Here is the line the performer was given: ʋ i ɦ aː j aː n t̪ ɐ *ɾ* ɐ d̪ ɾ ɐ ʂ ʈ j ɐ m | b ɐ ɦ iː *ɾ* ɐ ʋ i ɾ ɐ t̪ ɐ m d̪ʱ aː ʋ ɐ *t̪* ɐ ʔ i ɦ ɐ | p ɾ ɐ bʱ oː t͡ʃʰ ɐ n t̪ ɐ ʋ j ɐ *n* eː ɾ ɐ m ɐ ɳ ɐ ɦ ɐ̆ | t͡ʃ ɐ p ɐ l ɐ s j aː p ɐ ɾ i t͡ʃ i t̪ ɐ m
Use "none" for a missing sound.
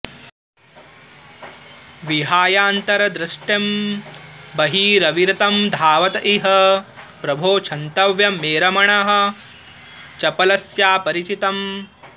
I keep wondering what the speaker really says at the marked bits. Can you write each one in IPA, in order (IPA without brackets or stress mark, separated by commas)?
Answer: ɾ, ɾ, t̪, m